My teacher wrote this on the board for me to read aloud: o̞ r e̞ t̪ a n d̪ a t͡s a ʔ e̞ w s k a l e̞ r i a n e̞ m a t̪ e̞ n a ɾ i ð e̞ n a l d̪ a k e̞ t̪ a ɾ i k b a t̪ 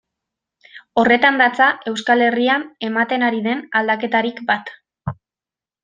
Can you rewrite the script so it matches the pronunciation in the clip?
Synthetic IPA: o̞ r e̞ t̪ a n d̪ a t͡s a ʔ e̞ w s k a l e̞ r i a n e̞ m a t̪ e̞ n a ɾ i ð e̞ n a l d̪ a k e̞ t̪ a ɾ i k b a t̪